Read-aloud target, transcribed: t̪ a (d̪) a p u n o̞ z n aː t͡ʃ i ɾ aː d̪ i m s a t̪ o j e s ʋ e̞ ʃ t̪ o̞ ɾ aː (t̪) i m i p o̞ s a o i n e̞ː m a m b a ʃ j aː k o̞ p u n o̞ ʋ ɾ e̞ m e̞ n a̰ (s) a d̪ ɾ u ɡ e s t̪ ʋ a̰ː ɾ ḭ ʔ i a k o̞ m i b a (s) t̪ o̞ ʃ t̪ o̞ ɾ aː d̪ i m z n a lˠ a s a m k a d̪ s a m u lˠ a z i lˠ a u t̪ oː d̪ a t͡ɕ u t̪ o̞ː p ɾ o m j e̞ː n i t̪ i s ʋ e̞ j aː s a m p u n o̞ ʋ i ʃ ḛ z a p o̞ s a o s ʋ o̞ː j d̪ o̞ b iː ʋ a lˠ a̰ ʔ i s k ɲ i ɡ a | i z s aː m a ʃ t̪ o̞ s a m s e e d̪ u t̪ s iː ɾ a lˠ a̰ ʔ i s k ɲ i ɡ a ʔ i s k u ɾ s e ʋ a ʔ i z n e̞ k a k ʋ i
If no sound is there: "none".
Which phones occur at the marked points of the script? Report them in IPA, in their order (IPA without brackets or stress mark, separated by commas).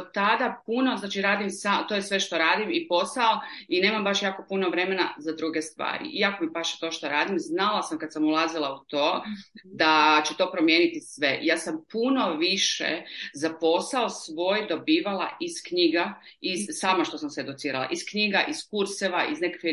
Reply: d̪, d̪, z, ʃ